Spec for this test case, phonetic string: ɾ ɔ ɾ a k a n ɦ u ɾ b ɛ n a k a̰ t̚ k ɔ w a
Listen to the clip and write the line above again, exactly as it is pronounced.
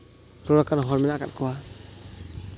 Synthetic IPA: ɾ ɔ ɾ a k a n ɦ ɔ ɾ m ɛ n a k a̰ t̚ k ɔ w a

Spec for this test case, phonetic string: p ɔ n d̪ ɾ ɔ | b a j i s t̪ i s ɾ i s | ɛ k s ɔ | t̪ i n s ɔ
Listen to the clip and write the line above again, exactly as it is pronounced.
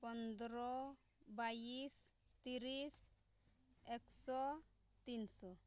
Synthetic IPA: p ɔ n d̪ ɾ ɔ | b a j i s t̪ i ɾ i s | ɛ k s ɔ | t̪ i n s ɔ

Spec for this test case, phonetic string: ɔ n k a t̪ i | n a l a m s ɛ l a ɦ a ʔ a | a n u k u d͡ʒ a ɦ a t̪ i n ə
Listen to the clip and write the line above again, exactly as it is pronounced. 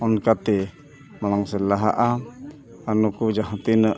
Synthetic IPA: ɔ n k a t̪ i | m a l a ŋ s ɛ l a ɦ a ʔ a | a n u k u d͡ʒ a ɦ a t̪ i n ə

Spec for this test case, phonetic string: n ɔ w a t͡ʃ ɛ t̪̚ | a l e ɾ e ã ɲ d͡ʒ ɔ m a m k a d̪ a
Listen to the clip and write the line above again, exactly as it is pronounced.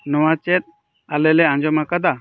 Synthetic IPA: n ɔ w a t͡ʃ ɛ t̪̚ | a l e l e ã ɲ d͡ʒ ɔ m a k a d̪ a

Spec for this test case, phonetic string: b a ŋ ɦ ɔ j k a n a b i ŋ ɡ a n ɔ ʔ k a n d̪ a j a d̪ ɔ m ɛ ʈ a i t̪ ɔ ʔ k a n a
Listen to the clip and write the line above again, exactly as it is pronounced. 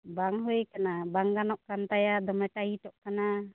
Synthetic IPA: b a ŋ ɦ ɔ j k a n a b a ŋ ɡ a n ɔ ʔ k a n t̪ a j a d̪ ɔ m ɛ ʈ a i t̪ ɔ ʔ k a n a

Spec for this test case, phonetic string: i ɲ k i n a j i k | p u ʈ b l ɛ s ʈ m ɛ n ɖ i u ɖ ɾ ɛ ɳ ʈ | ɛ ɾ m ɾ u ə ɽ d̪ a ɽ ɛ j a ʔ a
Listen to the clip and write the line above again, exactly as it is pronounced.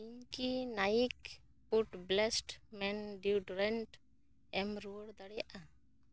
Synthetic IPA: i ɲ k i n a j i k | p u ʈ b l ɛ s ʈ m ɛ n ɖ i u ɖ ɾ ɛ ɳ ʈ | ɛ m ɾ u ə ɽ d̪ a ɽ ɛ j a ʔ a

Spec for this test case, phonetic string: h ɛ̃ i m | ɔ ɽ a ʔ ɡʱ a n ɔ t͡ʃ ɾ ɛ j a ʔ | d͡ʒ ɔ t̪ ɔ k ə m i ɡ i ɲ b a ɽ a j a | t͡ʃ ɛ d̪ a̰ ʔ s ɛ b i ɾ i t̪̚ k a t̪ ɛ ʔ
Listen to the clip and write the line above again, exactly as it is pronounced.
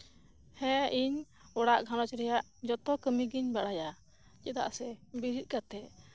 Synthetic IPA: h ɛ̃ i ɲ | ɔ ɽ a ʔ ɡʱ a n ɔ t͡ʃ ɾ ɛ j a ʔ | d͡ʒ ɔ t̪ ɔ k ə m i ɡ i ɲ b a ɽ a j a | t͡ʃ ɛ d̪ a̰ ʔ s ɛ b i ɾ i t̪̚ k a t̪ ɛ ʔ

